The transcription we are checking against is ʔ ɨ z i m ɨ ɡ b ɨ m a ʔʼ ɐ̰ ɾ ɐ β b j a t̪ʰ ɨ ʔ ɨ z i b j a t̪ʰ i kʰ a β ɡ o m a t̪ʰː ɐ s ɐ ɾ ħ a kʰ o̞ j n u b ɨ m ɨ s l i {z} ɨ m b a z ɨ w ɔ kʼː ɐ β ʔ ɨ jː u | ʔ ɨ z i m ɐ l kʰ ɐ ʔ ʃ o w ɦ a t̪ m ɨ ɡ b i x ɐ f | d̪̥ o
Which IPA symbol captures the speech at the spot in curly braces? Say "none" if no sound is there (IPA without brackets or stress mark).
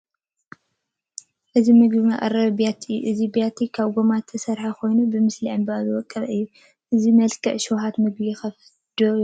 ʕ